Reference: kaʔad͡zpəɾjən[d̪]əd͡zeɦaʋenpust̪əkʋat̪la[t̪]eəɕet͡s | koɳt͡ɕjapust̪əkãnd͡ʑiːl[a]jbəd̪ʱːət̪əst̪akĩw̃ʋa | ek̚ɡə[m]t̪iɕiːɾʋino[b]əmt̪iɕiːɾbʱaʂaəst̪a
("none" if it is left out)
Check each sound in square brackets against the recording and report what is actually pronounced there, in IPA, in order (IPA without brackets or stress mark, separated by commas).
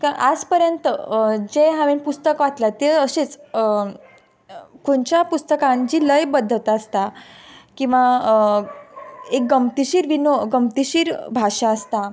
t̪, t̪, ə, m, ɡ